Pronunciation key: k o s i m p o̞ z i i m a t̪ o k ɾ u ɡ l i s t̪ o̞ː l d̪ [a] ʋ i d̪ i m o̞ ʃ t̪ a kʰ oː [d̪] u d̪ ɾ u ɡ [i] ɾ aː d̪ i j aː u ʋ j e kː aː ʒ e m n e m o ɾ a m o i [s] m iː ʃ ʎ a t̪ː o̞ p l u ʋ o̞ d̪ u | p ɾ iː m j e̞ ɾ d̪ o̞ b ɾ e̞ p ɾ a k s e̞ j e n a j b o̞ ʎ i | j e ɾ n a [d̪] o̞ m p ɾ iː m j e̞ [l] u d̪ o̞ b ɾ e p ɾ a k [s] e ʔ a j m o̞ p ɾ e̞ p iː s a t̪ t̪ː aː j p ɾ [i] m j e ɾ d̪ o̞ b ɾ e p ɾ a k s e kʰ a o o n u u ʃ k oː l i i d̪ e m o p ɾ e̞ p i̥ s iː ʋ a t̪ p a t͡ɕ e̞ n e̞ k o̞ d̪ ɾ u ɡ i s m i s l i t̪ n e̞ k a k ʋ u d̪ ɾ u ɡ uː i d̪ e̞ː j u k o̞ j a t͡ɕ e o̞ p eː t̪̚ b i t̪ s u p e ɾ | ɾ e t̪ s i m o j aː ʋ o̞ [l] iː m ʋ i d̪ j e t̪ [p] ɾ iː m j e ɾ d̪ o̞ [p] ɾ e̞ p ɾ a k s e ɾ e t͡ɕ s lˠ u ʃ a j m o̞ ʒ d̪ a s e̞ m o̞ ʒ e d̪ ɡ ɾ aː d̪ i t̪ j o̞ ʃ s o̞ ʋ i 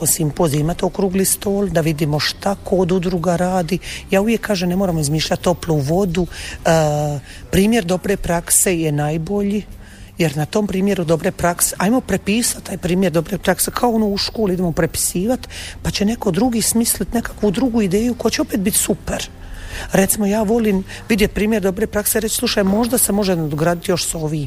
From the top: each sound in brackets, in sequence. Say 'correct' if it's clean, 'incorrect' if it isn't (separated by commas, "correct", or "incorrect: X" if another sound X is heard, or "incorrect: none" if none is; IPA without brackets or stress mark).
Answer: correct, correct, incorrect: a, incorrect: z, incorrect: t̪, incorrect: ɾ, correct, incorrect: iː, correct, correct, incorrect: b